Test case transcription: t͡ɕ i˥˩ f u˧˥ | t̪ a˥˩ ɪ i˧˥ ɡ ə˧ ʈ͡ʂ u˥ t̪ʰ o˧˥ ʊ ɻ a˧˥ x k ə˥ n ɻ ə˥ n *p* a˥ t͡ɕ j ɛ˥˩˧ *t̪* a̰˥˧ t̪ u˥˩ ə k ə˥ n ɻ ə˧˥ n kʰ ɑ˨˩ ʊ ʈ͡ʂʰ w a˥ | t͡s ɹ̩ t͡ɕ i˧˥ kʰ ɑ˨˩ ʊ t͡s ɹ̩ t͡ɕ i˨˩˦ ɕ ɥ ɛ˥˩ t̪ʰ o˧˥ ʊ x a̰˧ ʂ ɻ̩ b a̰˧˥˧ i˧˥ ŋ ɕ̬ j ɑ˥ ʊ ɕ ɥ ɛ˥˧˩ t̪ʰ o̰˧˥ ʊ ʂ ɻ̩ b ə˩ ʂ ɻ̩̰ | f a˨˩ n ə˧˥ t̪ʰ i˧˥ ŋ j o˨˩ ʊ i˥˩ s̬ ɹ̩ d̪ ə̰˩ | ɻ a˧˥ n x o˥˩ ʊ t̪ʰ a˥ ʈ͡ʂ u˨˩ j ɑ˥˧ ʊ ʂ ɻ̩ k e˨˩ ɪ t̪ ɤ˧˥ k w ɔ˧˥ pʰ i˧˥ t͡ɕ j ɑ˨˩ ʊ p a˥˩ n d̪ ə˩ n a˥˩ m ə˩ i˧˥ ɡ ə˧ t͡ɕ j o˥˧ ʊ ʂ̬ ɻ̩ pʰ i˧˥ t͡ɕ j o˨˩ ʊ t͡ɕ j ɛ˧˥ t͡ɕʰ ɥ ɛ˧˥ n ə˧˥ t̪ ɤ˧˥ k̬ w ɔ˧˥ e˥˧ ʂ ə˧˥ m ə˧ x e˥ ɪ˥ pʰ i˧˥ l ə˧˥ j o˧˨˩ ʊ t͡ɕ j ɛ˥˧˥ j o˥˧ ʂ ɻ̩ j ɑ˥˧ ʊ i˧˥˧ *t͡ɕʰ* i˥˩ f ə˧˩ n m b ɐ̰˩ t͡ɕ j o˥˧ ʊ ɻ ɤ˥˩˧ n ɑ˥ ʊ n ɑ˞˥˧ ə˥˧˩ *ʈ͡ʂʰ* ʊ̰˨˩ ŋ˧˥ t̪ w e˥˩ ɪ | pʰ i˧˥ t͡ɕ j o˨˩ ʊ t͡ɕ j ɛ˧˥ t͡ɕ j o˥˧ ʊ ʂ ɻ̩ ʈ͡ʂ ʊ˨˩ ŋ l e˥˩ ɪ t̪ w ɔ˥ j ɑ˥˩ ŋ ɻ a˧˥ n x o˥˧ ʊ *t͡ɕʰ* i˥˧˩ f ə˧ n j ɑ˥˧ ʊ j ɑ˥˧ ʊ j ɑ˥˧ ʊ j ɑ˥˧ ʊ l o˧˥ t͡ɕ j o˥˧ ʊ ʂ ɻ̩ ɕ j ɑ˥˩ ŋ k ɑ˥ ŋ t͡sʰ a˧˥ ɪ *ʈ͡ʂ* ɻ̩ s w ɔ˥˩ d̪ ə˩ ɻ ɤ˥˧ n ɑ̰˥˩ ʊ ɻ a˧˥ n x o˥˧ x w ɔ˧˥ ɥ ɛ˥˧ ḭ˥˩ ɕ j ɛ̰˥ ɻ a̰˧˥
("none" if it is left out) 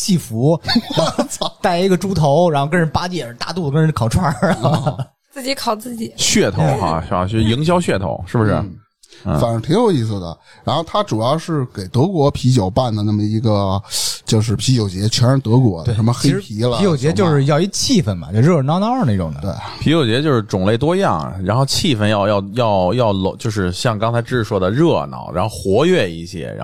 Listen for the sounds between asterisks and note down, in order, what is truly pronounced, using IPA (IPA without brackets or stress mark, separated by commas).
p, t̪, t͡ɕʰ, ʈ͡ʂ, t͡ɕʰ, ʈ͡ʂ